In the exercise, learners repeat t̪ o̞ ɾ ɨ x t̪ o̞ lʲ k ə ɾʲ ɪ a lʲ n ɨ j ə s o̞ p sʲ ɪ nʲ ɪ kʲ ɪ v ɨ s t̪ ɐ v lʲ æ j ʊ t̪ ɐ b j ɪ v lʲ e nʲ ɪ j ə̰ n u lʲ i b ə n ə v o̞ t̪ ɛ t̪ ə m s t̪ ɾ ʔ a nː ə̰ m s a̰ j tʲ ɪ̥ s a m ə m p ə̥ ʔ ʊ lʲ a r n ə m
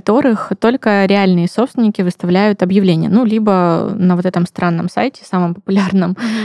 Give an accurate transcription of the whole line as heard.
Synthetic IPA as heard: t̪ o̞ ɾ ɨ x t̪ o̞ lʲ k ə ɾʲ ɪ a lʲ n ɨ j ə s o̞ p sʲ ɪ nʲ ɪ kʲ ɪ v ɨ s t̪ ɐ v lʲ æ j ʊ t̪ ɐ b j ɪ v lʲ e nʲ ɪ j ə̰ n u lʲ i b ə n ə v o̞ t̪ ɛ t̪ ə m s t̪ ɾ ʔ a nː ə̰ m s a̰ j tʲ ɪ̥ s a m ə m p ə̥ p ʊ lʲ a r n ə m